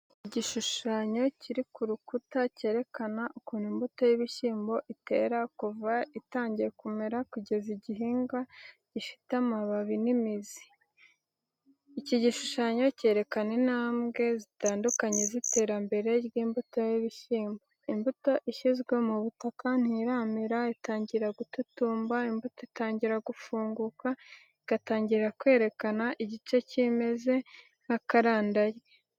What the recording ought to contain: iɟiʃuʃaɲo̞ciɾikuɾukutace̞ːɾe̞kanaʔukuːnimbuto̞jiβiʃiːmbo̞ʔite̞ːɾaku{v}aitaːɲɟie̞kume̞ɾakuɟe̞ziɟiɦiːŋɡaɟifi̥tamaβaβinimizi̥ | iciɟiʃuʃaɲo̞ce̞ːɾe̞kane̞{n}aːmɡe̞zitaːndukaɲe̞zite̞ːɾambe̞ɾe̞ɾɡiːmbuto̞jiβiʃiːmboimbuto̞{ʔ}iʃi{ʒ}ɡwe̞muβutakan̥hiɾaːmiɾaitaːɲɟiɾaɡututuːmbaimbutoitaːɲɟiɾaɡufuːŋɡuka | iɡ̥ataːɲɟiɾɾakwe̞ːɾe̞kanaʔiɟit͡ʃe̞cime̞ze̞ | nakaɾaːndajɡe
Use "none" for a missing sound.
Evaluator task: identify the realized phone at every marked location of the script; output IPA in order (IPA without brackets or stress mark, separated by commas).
v, n, ʔ, z